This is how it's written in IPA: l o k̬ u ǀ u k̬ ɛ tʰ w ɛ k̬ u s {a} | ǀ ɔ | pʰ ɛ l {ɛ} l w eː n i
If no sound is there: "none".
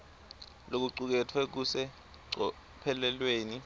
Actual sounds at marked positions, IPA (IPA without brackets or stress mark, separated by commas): ɛ, ɛ